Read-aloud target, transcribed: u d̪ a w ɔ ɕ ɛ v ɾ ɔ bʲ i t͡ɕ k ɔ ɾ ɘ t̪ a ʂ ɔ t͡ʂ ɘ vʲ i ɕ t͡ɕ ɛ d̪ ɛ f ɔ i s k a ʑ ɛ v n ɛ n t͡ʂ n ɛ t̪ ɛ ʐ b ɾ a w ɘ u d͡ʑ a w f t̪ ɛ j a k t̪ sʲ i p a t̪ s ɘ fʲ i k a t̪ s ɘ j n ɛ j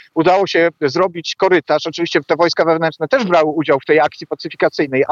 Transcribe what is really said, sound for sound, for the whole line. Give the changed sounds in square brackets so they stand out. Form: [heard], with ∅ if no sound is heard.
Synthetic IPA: u d̪ a w ɔ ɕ ɛ [z] ɾ ɔ bʲ i t͡ɕ k ɔ ɾ ɘ t̪ a ʂ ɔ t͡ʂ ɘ vʲ i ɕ t͡ɕ ɛ [t̪] ɛ [v] ɔ [j] s k a [v] ɛ v n ɛ n t͡ʂ n ɛ t̪ ɛ ʐ b ɾ a w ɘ u d͡ʑ a w f t̪ ɛ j a k t̪ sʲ i p a t̪ s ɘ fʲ i k a t̪ s ɘ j n ɛ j